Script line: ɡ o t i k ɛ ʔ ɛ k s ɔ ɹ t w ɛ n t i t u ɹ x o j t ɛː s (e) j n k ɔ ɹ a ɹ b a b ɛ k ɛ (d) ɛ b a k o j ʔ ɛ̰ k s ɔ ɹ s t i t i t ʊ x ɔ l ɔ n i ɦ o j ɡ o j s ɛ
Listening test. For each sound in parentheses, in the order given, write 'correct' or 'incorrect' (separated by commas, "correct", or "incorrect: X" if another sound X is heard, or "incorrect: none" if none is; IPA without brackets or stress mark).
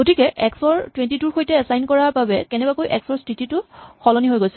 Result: incorrect: a, incorrect: n